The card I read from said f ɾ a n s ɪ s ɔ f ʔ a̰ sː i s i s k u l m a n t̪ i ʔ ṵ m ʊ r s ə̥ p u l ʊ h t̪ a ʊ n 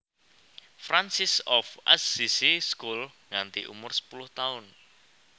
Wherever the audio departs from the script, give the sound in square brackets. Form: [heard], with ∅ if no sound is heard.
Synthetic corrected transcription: f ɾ a n s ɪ s ɔ f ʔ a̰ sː i s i s k u l [ŋ] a n t̪ i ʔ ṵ m ʊ r s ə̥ p u l ʊ h t̪ a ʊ n

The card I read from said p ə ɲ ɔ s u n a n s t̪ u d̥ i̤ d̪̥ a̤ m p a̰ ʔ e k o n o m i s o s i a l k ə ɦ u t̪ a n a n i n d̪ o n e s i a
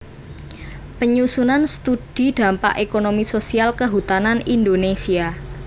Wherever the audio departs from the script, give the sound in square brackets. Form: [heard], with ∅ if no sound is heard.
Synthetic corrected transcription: p ə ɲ [u] s u n a n s t̪ u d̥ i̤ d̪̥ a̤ m p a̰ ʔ e k o n o m i s o s i a l k ə ɦ u t̪ a n a n i n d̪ o n e s i a

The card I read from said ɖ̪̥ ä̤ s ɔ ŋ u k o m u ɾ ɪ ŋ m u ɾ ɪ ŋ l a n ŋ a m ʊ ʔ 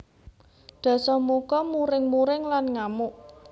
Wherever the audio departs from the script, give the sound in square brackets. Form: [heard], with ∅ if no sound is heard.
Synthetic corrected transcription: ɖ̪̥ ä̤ s ɔ [m] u k [ɔ] m u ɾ ɪ ŋ m u ɾ ɪ ŋ l a n ŋ a m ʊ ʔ

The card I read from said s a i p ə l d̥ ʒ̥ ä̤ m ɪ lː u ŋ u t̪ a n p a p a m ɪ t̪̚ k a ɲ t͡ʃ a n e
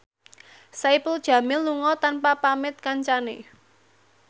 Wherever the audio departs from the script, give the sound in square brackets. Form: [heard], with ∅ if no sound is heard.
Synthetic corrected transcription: s a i p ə l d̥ ʒ̥ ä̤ m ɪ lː u ŋ [ɔ] t̪ a n p a p a m ɪ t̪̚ k a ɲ t͡ʃ a n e

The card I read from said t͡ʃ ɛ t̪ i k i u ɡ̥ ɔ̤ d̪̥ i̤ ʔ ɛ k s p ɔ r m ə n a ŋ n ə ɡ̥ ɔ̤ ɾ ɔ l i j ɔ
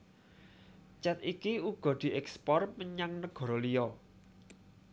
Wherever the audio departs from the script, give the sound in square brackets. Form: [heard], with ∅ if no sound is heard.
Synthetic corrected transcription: t͡ʃ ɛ t̪ i k i u ɡ̥ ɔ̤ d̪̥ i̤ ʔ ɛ k s p ɔ r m ə [ɲ] a ŋ n ə ɡ̥ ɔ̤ ɾ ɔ l i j ɔ

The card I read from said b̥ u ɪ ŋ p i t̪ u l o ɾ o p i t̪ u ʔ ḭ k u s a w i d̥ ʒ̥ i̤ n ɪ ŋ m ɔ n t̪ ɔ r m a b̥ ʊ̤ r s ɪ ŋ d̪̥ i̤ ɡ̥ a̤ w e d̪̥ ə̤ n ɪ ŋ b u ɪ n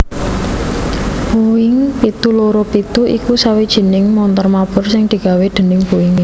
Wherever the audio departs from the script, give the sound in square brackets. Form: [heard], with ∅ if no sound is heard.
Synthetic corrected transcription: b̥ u ɪ ŋ p i t̪ u l o ɾ o p i t̪ u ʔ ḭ k u s a w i d̥ ʒ̥ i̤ n ɪ ŋ m ɔ n t̪ ɔ r m a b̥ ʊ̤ r s ɪ ŋ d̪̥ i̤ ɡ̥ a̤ w e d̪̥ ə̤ n ɪ ŋ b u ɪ [ŋ]

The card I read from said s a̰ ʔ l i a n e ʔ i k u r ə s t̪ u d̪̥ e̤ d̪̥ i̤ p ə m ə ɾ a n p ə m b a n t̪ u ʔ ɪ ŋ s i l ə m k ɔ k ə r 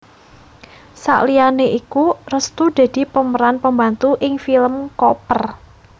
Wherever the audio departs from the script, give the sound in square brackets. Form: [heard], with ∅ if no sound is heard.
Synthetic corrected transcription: s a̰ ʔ l i a n e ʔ i k u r ə s t̪ u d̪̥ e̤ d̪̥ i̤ p ə m ə ɾ a n p ə m b a n t̪ u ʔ ɪ ŋ [f] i l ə m k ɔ [p] ə r

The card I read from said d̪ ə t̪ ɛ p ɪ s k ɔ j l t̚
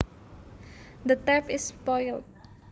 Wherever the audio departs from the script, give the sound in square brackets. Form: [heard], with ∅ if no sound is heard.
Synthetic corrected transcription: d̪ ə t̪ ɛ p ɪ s [p] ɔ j l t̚

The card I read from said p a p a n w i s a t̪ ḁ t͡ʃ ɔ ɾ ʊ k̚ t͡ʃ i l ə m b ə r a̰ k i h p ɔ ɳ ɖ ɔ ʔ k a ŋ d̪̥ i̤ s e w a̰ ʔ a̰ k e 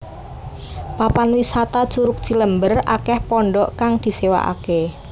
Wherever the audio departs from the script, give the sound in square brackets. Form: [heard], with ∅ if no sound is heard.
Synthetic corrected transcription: p a p a n w i s a t̪ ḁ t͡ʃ [u] ɾ ʊ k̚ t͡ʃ i l ə m b ə r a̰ k [ɛ] h p ɔ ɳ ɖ ɔ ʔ k a ŋ d̪̥ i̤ s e w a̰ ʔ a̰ k e

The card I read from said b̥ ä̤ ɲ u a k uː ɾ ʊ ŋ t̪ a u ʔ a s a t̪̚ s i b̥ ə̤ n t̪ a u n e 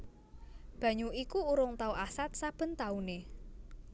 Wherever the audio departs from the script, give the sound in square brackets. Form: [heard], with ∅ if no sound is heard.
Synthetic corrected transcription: b̥ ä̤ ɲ u [i] k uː ɾ ʊ ŋ t̪ a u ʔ a s a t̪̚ s [a] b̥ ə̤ n t̪ a u n e

